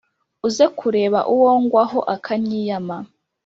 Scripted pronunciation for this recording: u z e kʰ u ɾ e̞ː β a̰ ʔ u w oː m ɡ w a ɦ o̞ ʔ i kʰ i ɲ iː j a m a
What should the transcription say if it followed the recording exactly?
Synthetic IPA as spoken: u z e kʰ u ɾ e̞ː β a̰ ʔ u w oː ŋ ɡ w a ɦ o̞ ʔ a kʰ a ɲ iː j a m a